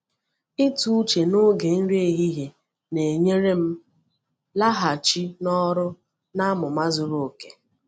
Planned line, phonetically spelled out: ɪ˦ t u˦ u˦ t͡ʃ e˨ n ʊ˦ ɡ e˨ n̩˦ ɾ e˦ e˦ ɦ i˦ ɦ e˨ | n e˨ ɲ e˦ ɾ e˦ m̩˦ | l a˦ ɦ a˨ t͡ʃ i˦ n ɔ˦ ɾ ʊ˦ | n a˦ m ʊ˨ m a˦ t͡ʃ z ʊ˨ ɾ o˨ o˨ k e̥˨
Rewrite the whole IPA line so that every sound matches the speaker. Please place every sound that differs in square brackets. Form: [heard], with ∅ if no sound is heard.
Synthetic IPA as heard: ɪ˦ t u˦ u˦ t͡ʃ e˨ n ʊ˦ ɡ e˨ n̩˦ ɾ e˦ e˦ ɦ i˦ ɦ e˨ | n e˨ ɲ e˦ ɾ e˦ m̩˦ | l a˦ ɦ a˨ t͡ʃ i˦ n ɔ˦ ɾ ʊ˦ | n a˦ m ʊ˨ m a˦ [∅] z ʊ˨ ɾ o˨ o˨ k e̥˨